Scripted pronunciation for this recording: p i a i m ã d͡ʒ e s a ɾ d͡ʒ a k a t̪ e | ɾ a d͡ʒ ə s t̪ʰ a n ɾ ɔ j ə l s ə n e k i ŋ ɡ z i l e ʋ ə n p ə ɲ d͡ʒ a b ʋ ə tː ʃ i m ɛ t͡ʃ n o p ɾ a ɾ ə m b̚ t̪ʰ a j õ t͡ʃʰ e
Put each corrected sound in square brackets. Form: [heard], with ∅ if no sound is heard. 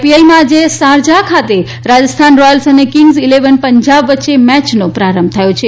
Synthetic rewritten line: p i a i m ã d͡ʒ e s a ɾ d͡ʒ a [kʰ] a t̪ e | ɾ a d͡ʒ ə s t̪ʰ a n ɾ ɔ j ə l s ə n e k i ŋ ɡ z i l e ʋ ə n p ə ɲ d͡ʒ a b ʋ ə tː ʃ [e] m ɛ t͡ʃ n o p ɾ a ɾ ə m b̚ t̪ʰ [ə] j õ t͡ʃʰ e